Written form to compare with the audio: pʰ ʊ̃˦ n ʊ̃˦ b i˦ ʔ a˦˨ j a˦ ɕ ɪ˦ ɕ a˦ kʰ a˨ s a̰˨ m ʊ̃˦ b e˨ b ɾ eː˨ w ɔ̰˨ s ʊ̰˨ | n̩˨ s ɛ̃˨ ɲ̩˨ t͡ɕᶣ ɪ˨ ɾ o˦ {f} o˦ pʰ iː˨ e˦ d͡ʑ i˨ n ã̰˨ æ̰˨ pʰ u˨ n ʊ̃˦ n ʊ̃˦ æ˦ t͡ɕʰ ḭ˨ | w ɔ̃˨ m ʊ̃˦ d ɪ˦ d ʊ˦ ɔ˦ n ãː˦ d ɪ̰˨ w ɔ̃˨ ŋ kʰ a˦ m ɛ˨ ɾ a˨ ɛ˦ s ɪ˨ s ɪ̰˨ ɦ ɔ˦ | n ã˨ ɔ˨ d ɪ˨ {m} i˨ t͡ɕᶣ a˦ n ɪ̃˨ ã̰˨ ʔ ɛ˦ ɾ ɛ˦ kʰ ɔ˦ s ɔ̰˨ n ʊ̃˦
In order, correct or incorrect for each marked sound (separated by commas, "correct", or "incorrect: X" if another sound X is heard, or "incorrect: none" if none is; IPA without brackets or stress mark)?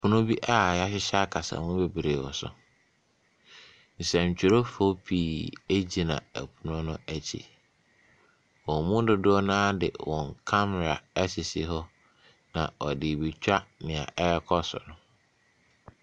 correct, incorrect: b